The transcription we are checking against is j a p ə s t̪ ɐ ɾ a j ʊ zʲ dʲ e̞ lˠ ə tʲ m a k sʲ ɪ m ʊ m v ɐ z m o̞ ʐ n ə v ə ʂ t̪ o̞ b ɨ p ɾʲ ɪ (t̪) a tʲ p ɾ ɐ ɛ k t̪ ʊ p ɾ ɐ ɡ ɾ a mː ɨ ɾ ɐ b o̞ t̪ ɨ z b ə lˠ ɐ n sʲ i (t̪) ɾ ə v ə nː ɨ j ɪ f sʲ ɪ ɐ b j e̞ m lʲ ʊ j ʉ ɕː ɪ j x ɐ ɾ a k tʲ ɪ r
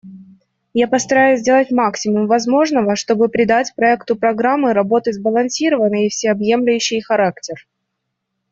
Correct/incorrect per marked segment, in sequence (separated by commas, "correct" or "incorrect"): incorrect, incorrect